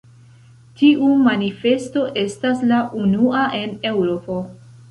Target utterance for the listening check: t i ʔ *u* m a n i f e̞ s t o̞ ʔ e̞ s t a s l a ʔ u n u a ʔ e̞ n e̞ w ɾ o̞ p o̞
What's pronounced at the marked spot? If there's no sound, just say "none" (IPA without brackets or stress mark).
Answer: u